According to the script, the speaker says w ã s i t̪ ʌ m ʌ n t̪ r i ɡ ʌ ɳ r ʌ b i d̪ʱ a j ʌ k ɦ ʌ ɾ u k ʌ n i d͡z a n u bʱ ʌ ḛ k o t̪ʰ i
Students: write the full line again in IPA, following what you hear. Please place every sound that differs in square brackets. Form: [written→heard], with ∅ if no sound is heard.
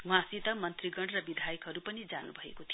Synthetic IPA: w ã s i t̪ ʌ m ʌ n t̪ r i ɡ ʌ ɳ r ʌ b i d̪ʱ a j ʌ k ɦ ʌ ɾ u [k→p] ʌ n i d͡z a n u bʱ ʌ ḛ k o t̪ʰ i